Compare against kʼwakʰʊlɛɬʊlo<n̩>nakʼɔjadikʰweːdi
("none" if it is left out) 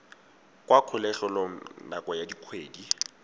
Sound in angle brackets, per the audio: ŋ̩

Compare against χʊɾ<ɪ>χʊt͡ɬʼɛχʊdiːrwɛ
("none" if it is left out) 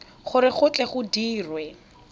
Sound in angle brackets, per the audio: ɪ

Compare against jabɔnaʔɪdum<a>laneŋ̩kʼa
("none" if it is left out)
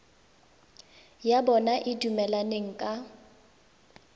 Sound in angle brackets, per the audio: ɛ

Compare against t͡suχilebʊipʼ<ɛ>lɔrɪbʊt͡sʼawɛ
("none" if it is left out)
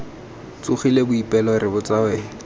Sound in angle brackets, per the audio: ɛ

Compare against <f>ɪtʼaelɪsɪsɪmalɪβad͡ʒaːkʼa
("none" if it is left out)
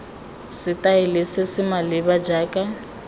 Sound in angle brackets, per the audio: s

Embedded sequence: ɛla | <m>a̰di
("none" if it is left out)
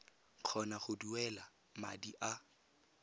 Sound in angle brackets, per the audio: m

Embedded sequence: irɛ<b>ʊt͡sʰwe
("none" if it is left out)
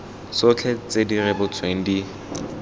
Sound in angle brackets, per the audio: b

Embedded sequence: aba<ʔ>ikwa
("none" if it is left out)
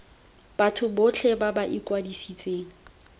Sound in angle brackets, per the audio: ʔ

